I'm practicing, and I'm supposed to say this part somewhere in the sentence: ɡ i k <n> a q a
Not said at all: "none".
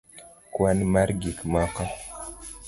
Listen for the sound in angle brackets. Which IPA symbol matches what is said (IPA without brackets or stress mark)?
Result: m